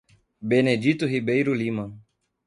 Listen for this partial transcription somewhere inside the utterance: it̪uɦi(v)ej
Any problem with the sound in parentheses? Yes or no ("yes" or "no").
yes